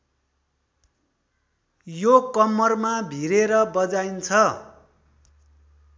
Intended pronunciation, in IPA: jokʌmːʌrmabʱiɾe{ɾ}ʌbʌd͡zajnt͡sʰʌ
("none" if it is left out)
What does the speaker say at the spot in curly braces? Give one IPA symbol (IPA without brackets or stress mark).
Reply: ɾ